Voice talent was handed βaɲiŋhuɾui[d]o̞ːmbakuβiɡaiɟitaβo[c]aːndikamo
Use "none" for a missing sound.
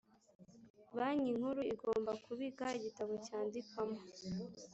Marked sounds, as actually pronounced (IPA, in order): ɡ, c

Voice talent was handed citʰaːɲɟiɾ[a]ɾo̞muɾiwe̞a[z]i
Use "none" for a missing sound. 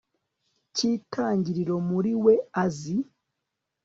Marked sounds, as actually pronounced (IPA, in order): i, z

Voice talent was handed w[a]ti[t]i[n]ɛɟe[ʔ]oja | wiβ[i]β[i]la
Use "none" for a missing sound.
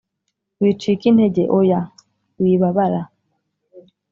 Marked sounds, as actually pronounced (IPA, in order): i, k, n, ʔ, a, a

